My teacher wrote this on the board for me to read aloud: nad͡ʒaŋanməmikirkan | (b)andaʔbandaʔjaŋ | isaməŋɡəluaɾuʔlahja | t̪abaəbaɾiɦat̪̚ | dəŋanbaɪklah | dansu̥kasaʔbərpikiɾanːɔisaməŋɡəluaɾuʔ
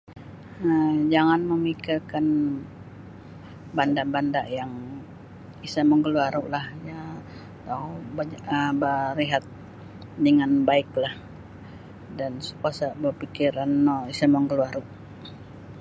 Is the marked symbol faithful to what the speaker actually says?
yes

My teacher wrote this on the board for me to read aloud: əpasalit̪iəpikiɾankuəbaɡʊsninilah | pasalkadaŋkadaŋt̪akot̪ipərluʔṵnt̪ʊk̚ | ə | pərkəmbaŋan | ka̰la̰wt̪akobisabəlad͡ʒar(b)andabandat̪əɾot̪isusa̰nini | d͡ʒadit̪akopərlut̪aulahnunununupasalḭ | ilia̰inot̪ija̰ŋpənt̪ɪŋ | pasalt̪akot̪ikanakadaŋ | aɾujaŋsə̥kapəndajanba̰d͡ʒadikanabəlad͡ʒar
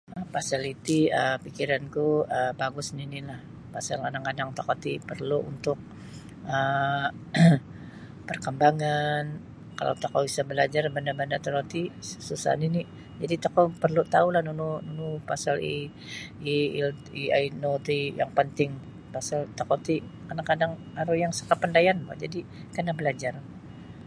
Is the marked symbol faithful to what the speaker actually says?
yes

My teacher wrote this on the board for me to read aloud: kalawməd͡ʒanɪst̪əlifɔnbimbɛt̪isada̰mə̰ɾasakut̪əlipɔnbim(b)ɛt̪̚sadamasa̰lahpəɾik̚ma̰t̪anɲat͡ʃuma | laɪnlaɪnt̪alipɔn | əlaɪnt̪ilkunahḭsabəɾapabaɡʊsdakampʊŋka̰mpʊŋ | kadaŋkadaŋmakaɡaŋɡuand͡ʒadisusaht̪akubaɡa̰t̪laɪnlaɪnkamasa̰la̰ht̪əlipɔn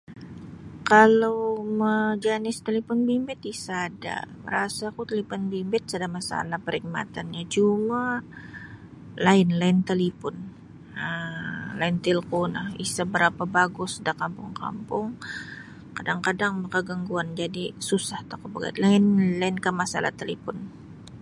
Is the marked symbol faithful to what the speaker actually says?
yes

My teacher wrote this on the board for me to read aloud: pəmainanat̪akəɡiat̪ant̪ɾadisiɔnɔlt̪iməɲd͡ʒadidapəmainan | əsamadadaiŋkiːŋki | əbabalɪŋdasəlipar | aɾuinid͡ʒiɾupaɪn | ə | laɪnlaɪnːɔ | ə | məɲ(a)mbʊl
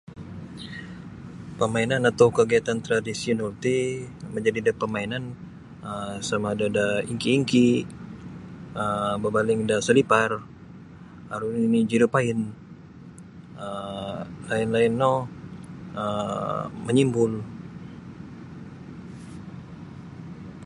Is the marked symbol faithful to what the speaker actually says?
no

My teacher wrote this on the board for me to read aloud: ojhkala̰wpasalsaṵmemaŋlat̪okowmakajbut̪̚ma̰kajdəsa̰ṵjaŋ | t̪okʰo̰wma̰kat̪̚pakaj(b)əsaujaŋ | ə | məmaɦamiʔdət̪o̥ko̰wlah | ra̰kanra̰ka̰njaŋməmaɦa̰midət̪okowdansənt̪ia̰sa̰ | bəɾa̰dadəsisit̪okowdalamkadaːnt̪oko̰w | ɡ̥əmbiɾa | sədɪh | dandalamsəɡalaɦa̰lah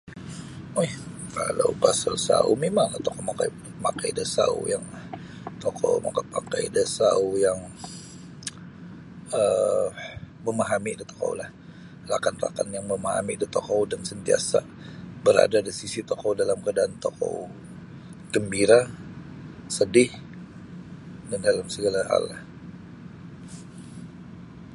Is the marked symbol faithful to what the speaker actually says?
no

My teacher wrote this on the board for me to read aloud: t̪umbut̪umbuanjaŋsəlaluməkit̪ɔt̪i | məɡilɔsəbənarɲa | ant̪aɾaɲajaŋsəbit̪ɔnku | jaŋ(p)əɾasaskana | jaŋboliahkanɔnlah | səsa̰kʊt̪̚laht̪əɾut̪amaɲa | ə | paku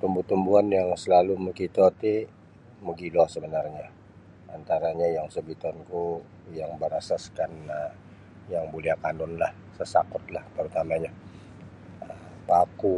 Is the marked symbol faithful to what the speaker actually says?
no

